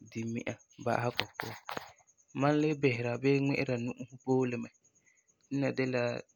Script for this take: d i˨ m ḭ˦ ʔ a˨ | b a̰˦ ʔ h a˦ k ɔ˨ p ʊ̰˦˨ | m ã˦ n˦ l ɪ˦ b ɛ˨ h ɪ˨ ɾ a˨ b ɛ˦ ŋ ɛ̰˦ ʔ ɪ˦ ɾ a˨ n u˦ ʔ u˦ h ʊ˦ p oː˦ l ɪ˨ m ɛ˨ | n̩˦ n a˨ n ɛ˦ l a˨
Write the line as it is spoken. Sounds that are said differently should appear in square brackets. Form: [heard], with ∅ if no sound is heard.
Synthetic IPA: d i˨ m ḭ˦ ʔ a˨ | b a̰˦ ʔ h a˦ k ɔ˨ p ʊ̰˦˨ | m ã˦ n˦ l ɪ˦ b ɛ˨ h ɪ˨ ɾ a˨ b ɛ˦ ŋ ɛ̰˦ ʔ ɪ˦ ɾ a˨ n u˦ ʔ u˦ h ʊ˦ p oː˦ l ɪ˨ m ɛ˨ | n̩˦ n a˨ [d] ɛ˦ l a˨